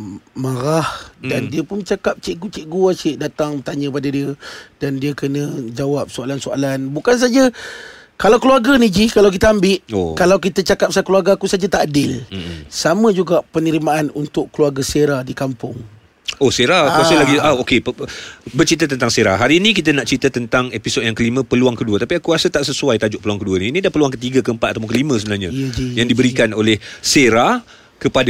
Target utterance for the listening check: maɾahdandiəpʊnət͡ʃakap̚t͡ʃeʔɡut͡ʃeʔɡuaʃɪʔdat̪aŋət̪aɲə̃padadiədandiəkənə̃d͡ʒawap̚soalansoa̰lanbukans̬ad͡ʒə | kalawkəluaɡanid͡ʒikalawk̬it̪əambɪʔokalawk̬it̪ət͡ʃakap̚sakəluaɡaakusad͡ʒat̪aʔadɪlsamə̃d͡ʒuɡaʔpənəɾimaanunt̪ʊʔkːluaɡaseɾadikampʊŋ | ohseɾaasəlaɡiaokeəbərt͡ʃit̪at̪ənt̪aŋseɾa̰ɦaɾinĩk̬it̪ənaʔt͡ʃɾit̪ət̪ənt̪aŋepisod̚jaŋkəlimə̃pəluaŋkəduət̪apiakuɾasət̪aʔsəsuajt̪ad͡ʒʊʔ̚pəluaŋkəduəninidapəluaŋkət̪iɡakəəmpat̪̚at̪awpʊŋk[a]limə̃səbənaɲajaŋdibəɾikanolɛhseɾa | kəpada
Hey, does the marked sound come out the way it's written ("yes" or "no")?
no